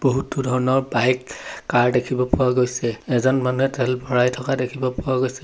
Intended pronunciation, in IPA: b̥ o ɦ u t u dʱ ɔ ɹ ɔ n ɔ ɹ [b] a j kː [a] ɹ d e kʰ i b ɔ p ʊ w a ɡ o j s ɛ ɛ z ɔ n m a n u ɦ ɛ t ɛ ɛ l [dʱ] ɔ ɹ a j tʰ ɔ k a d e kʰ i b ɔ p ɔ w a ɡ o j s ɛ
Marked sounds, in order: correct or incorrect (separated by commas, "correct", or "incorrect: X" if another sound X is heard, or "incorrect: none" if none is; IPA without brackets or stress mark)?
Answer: correct, correct, incorrect: bʱ